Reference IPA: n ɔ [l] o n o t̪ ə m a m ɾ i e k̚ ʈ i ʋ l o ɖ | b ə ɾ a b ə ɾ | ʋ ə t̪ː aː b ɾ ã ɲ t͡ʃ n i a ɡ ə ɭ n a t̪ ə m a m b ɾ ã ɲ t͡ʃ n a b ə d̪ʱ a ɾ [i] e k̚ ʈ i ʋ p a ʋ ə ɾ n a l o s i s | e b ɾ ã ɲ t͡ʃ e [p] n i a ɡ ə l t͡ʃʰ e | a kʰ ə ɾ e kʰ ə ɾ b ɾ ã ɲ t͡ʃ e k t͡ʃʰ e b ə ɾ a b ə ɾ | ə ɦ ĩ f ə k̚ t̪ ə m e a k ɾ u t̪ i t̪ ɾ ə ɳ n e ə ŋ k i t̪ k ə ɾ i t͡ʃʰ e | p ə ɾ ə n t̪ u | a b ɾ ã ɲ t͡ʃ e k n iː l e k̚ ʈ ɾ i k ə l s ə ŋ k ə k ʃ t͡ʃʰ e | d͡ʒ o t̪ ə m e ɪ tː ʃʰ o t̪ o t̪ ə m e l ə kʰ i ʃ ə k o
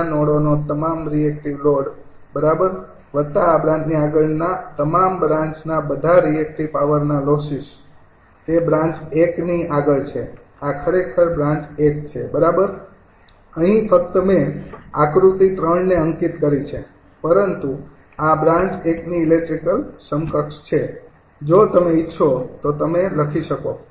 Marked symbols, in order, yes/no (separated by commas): no, yes, no